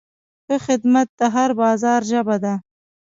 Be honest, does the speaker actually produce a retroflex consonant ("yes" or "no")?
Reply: no